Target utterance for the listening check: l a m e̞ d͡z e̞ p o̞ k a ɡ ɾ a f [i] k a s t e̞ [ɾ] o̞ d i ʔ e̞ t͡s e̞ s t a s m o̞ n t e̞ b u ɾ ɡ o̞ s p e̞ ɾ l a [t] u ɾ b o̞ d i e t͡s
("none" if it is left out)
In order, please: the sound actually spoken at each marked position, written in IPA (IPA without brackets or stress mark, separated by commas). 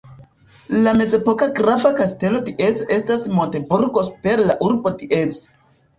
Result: a, l, ʔ